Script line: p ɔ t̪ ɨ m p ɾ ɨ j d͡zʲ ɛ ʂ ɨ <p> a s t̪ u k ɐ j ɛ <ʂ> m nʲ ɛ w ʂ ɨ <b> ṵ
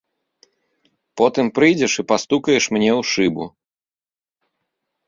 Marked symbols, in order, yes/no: yes, yes, yes

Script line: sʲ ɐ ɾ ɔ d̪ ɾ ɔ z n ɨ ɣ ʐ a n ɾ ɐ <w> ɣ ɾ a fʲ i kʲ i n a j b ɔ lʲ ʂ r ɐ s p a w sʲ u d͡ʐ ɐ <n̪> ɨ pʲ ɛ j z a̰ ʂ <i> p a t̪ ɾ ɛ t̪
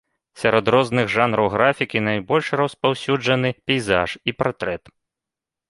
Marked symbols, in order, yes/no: yes, yes, yes

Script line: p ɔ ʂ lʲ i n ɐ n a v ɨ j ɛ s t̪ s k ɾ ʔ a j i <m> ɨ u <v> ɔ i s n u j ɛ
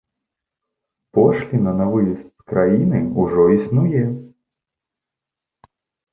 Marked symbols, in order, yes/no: no, no

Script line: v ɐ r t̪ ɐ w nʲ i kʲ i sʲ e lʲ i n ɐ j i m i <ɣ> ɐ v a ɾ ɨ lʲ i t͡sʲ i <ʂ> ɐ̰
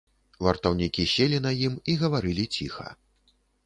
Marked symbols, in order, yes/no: yes, no

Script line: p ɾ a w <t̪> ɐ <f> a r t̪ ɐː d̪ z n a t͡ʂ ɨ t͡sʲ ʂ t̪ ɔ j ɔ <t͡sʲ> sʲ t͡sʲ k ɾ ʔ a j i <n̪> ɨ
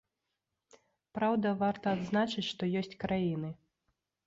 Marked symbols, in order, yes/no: no, no, no, yes

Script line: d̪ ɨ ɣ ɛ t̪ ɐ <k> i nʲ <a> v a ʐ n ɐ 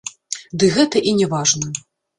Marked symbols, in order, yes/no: no, no

